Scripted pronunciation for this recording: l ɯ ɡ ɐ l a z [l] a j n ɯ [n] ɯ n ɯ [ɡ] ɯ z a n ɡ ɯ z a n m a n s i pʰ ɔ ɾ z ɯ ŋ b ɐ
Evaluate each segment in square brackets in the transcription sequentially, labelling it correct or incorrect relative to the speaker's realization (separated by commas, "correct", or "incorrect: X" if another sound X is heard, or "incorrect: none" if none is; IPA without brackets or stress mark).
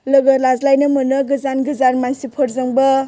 correct, incorrect: m, correct